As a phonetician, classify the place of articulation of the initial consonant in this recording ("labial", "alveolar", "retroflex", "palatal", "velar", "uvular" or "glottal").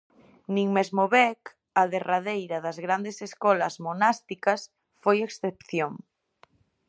alveolar